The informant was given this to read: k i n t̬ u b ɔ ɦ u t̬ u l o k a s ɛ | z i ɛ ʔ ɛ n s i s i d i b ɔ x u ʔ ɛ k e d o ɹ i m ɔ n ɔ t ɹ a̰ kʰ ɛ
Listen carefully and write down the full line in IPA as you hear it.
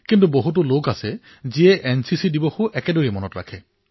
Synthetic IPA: k i n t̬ u b o ɦ u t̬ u l o k a s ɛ | z i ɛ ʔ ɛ n s i s i d i b ɔ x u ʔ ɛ k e d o ɹ i m ɔ n ɔ t ɹ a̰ kʰ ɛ